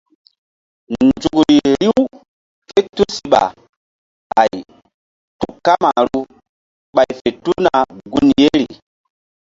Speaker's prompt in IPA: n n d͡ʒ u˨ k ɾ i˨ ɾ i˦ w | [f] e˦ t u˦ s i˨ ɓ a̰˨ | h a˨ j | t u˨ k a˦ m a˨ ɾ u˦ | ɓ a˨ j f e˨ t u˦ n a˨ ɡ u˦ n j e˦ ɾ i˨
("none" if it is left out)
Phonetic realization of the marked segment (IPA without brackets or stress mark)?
f